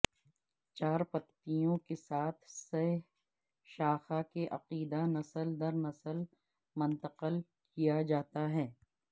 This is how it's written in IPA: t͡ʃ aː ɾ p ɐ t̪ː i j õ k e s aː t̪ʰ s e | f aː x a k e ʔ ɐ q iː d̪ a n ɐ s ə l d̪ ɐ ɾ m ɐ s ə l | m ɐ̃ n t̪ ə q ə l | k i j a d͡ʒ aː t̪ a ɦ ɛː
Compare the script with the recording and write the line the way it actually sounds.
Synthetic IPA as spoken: t͡ʃ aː ɾ p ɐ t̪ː i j õ k e s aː t̪ʰ s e | ʃ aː x a k e ʔ ɐ q iː d̪ a n ɐ s ə l d̪ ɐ ɾ n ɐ s ə l | m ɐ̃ n t̪ ə q ə l | k i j a d͡ʒ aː t̪ a ɦ ɛː